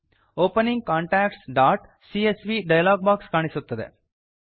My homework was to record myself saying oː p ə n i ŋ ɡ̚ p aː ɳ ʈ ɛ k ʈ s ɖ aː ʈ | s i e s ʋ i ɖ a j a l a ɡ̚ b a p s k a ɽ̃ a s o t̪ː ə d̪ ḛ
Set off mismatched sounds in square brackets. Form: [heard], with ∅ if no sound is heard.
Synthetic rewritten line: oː p ə n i ŋ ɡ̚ [k] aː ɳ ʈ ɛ k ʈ s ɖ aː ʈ | s i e s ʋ i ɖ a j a l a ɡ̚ b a [k] s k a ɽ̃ [i] s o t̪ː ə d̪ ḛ